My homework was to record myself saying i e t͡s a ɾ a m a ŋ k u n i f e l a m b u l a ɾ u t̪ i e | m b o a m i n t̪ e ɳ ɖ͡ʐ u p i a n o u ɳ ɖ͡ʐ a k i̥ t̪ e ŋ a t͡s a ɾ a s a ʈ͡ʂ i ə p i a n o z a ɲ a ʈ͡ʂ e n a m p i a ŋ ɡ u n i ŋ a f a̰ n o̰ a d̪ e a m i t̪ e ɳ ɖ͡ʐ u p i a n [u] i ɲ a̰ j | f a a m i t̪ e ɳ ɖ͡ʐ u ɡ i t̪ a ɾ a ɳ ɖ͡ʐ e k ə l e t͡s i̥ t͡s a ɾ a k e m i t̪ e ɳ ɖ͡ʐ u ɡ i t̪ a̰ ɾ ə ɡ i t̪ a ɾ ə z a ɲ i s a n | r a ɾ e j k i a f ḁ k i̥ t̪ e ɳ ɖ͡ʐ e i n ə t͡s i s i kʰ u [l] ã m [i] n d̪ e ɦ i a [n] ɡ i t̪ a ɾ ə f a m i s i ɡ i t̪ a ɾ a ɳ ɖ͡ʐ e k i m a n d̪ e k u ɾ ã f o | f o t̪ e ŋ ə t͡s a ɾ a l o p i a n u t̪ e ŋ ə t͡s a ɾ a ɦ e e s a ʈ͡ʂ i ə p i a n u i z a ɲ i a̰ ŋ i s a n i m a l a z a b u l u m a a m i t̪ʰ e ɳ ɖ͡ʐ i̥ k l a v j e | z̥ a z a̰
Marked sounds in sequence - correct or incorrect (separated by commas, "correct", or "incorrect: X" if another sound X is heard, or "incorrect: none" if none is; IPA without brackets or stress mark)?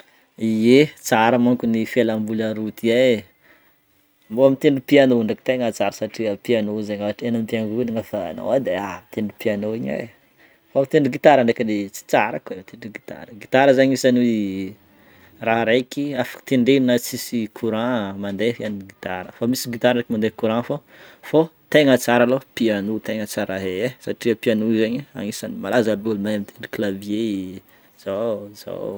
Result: incorrect: o, incorrect: ɾ, incorrect: a, correct